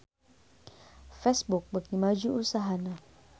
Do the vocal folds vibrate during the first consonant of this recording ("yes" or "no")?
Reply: no